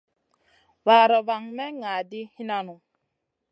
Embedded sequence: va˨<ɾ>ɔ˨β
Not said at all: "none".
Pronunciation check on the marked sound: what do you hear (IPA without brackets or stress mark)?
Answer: ɾ